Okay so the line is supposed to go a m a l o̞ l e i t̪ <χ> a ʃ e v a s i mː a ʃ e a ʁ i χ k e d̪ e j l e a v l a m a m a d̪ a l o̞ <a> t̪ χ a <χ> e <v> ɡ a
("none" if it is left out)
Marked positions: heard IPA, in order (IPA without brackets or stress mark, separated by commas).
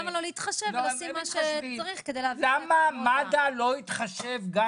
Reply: χ, i, ʃ, v